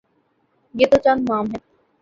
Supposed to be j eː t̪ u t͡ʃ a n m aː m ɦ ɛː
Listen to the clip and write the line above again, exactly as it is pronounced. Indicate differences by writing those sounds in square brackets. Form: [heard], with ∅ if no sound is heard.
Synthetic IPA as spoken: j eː t̪ [o] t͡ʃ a n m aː m ɦ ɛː